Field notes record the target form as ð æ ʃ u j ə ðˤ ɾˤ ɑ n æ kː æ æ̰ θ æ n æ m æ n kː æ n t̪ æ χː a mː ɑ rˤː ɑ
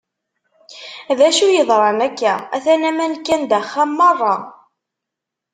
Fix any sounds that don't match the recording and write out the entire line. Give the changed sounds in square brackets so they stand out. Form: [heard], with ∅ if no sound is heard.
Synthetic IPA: ð æ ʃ u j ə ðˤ ɾˤ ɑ n æ kː æ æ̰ θ æ n æ m æ n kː æ n [d̪] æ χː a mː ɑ rˤː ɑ